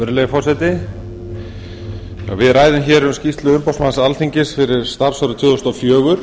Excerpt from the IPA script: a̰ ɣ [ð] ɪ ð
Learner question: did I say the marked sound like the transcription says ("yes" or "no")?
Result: no